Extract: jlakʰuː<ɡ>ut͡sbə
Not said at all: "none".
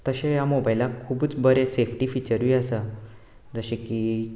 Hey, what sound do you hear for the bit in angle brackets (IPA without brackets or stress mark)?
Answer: b